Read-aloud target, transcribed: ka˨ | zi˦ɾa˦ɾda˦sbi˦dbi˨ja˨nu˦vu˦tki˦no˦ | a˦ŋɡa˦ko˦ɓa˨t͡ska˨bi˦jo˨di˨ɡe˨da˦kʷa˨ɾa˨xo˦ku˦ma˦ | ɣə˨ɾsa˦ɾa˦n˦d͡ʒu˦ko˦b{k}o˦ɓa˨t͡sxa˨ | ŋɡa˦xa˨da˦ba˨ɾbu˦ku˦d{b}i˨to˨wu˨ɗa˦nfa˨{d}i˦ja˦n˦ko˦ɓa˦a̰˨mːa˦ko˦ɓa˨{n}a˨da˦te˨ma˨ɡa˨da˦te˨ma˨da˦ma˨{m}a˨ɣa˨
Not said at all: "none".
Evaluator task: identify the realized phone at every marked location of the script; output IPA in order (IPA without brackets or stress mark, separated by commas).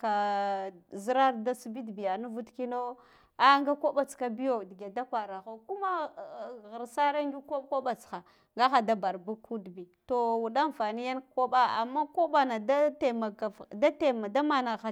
k, b, n, n, n